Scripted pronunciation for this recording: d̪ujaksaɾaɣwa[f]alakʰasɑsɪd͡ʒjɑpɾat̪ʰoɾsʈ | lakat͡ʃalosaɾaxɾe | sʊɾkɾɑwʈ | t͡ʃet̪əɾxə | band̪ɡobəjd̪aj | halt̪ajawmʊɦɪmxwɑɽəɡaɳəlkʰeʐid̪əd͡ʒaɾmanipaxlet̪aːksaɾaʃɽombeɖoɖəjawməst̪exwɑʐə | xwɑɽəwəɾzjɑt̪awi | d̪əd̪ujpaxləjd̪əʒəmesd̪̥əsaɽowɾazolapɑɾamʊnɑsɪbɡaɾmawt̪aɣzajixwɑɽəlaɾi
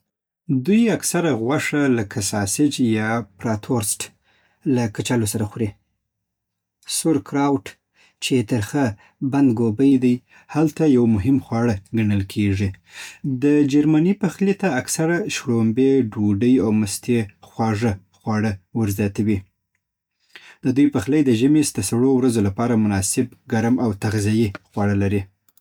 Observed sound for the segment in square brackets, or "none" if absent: ʂ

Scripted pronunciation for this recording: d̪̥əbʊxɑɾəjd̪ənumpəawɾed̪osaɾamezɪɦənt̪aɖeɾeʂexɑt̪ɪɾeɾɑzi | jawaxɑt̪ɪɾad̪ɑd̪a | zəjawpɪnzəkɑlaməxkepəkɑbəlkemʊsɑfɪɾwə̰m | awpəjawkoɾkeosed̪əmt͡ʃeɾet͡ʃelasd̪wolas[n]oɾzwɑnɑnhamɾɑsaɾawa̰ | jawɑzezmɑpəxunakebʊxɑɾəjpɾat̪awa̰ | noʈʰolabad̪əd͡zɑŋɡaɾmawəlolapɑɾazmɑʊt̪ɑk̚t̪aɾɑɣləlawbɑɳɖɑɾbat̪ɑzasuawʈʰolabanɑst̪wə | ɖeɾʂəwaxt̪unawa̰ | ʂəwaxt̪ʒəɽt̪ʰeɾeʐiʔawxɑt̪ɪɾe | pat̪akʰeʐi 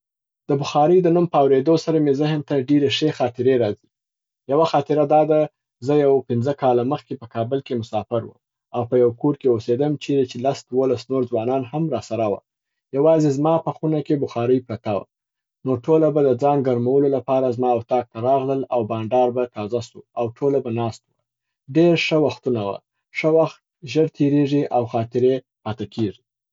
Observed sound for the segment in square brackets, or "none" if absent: n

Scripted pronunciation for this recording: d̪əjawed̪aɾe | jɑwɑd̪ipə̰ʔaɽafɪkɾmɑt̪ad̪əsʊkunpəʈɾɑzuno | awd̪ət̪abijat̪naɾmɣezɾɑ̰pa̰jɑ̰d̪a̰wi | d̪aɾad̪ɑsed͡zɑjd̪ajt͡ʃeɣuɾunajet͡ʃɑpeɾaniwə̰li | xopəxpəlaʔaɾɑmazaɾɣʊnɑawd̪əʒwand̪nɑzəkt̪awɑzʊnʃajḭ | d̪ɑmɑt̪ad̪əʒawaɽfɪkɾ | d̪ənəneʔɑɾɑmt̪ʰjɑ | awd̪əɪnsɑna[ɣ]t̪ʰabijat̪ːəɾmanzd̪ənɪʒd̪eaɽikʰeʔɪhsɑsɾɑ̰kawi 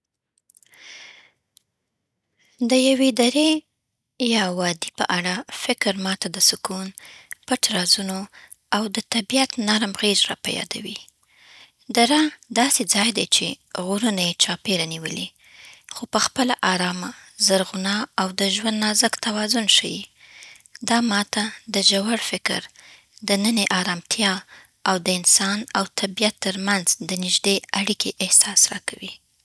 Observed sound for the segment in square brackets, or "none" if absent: w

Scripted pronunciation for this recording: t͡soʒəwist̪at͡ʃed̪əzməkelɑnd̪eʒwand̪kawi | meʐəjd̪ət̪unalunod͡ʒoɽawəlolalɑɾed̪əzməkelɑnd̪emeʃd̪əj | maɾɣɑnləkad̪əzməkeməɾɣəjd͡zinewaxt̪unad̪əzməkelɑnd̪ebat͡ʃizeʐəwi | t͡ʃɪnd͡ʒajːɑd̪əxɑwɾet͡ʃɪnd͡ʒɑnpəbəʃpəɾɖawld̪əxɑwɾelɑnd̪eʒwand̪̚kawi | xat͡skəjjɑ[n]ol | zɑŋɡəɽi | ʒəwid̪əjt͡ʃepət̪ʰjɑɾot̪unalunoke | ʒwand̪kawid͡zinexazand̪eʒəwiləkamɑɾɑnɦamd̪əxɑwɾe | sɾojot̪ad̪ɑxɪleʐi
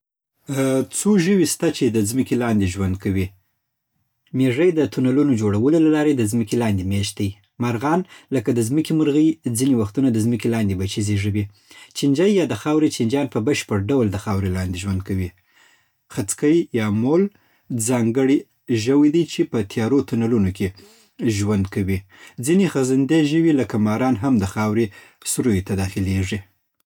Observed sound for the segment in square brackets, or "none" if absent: m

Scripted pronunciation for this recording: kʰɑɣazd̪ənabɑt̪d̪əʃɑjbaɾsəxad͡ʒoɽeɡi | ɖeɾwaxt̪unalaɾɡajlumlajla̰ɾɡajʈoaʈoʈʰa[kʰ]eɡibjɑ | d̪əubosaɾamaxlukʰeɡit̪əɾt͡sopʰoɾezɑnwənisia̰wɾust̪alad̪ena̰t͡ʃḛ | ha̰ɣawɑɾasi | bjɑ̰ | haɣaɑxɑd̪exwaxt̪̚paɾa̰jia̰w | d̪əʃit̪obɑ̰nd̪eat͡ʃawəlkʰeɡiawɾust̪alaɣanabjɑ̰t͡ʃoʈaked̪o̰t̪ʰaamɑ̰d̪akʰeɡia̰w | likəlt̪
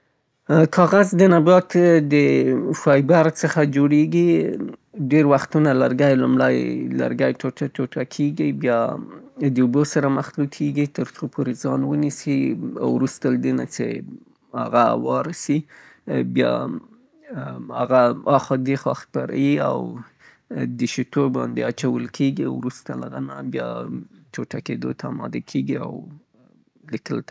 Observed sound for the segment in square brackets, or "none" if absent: kʰ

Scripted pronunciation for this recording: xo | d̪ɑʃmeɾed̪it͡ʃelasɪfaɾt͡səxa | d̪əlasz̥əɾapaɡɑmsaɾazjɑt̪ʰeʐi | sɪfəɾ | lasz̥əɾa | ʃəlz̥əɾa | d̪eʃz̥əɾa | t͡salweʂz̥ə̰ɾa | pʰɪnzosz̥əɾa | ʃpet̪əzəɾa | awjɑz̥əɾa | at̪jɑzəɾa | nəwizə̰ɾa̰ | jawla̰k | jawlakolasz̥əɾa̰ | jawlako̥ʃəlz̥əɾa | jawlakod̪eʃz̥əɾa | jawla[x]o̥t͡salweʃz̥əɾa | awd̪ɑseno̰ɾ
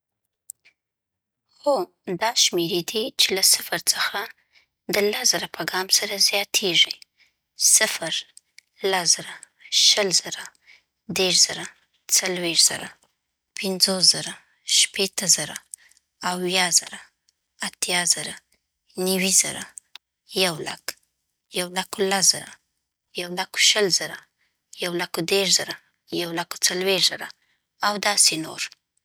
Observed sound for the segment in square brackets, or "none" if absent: k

